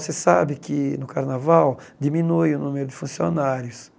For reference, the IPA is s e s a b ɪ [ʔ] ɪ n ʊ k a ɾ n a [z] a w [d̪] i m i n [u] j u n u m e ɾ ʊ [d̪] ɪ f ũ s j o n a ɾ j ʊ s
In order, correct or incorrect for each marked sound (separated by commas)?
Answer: incorrect, incorrect, correct, correct, correct